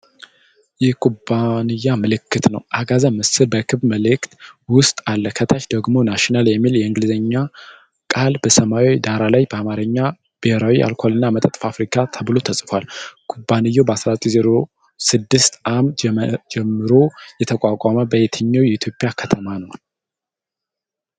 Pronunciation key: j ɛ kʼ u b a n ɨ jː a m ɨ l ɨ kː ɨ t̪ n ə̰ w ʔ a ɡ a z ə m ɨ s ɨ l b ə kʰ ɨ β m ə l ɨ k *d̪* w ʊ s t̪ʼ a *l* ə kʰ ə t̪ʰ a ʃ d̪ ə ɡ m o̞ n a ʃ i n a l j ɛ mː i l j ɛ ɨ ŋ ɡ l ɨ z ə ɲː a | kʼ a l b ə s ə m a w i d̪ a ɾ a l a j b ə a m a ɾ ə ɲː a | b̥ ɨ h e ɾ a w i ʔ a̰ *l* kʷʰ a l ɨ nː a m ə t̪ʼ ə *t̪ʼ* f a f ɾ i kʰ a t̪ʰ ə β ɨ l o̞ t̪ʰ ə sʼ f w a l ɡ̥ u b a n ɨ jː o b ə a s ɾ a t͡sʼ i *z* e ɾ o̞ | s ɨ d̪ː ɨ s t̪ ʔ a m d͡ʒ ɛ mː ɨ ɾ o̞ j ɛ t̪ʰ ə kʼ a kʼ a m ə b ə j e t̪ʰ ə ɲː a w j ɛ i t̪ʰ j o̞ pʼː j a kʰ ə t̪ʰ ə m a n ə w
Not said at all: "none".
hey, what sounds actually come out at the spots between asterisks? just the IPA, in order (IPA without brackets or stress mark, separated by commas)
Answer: t̪, lː, l, t̪ʼ, z